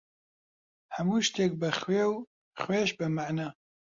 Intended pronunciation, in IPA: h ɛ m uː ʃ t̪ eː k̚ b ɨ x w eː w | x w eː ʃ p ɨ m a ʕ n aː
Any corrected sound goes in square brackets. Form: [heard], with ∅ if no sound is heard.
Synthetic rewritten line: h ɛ m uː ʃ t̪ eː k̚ b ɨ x w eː w | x w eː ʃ [b] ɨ m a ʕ n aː